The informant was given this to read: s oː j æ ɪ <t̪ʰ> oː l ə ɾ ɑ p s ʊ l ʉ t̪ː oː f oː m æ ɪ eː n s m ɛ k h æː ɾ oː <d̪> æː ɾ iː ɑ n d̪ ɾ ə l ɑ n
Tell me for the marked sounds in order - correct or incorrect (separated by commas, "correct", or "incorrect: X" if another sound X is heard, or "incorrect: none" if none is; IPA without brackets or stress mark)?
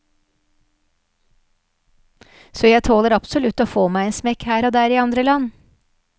correct, correct